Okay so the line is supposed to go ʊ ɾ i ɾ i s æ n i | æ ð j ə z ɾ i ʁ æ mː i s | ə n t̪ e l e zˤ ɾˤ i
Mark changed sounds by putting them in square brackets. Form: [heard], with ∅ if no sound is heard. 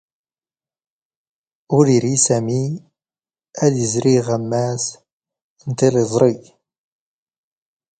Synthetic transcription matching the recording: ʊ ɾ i ɾ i s æ [m] i | æ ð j ə z ɾ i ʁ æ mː [æ] s | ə n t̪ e l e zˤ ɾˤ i